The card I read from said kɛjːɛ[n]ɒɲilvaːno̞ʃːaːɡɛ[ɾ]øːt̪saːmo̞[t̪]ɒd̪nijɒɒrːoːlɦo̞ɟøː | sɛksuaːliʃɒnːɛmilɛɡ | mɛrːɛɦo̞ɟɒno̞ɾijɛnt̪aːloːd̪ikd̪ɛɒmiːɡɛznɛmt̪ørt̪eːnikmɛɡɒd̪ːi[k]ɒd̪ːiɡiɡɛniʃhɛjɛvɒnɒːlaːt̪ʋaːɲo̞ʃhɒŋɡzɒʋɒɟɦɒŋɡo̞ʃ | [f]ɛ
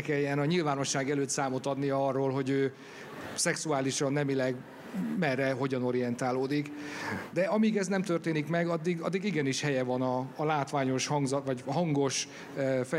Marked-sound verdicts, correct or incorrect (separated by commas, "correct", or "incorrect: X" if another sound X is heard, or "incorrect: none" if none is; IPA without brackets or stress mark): correct, incorrect: l, correct, incorrect: ɡ, correct